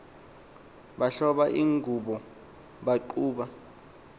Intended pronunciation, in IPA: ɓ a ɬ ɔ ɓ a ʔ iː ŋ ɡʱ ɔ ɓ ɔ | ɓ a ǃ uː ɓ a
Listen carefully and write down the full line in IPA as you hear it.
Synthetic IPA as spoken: ɓ a ɬ ɔ ɓ a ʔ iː ŋ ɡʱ u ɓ ɔ | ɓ a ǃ uː ɓ a